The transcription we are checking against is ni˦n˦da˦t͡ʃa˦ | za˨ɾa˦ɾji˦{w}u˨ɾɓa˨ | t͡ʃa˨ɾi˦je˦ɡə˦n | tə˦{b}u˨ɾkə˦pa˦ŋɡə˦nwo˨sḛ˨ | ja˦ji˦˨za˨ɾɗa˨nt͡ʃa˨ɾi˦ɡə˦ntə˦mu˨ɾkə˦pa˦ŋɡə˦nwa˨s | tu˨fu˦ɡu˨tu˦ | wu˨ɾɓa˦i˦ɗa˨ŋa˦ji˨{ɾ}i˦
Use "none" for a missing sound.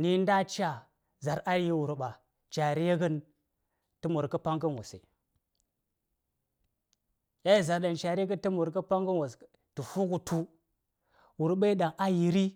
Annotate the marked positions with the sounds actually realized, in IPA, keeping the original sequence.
w, m, ɾ

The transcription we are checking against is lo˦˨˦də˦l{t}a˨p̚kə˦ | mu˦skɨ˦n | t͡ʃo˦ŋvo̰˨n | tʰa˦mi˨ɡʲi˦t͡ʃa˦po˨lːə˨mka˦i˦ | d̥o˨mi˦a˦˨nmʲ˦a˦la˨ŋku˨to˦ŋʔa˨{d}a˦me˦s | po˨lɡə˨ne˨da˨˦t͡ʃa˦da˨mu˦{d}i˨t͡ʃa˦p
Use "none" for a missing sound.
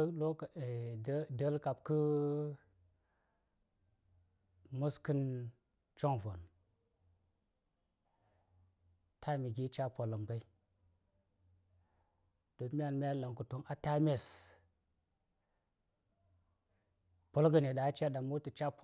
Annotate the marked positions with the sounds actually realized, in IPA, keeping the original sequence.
k, t, t

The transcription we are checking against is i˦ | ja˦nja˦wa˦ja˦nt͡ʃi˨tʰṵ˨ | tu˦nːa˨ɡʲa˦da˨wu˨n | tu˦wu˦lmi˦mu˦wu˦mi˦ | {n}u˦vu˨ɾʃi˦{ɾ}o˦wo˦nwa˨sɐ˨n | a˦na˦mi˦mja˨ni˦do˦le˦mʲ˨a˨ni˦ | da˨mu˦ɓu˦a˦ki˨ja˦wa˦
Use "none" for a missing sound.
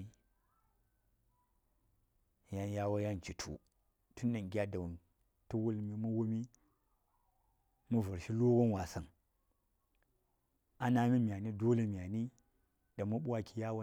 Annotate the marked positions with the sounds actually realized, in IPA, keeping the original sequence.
m, l

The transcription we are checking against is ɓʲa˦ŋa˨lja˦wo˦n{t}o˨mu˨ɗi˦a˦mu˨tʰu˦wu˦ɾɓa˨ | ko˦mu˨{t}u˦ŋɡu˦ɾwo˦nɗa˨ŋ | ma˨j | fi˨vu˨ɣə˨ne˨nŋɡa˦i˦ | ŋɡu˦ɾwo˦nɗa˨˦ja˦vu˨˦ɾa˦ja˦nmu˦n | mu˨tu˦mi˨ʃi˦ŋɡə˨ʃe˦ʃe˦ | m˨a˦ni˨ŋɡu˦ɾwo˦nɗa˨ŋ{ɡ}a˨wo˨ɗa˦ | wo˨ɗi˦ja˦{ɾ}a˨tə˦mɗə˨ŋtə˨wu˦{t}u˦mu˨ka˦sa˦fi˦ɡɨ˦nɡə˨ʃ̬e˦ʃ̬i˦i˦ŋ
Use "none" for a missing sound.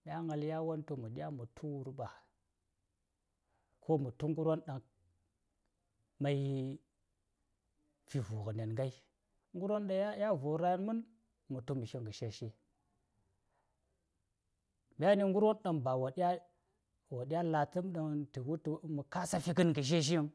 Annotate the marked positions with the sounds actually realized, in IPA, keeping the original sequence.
t, t, b, l, t

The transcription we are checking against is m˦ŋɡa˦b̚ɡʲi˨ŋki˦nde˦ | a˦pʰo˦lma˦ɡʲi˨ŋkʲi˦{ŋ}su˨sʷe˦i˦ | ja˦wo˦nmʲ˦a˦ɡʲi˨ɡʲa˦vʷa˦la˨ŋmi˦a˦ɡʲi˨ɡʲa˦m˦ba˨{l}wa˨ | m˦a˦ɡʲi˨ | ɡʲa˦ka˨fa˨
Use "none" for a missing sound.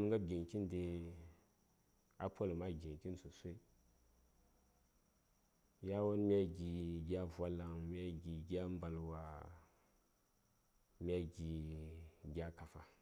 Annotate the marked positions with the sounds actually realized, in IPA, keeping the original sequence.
n, l

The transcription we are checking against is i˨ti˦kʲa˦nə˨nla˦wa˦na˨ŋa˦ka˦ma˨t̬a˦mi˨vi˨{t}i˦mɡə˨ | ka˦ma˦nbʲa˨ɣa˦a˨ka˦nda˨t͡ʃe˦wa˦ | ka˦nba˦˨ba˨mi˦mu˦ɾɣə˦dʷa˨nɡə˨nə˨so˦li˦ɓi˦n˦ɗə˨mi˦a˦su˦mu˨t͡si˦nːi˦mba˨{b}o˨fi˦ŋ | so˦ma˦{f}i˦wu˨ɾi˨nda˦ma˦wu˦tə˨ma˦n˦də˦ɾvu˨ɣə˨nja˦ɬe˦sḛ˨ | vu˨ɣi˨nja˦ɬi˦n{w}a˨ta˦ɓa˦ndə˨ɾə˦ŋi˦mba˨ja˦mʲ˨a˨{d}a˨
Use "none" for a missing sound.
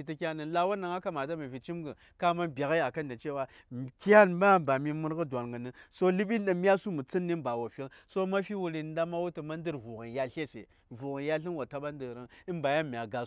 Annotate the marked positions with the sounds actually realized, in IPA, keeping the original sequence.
t͡ʃ, w, f, w, ɡ

